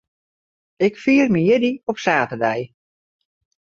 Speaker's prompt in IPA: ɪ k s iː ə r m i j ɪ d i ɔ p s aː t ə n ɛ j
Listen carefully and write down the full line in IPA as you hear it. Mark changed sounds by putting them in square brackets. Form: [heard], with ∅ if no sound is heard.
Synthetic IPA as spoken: ɪ k [f] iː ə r m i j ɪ d i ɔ p s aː t ə [d] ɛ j